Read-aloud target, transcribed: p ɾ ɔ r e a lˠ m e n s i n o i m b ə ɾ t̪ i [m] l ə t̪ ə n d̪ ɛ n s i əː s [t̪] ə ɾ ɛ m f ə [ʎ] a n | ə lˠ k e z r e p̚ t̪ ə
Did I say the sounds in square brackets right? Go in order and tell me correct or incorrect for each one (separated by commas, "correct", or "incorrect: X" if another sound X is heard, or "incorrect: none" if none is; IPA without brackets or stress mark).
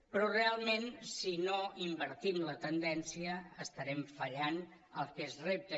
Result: correct, correct, correct